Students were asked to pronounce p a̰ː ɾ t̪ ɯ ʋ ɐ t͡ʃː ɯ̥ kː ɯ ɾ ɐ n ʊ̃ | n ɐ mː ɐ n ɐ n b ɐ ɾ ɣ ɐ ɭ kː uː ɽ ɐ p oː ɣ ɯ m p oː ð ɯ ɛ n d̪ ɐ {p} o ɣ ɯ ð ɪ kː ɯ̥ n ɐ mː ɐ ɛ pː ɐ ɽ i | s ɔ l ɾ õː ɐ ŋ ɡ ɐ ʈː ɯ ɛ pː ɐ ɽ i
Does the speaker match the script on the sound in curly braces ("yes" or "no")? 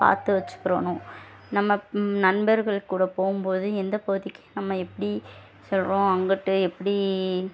yes